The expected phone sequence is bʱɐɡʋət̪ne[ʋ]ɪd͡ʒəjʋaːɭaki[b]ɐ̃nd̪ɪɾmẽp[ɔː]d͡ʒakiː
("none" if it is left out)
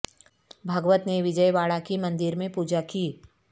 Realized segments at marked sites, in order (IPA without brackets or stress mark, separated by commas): ʋ, m, uː